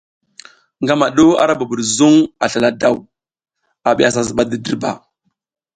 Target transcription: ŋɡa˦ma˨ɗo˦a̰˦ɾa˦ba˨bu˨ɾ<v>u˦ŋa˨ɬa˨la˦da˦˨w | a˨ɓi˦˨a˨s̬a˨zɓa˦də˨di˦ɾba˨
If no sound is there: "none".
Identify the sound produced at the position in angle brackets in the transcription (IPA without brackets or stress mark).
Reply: z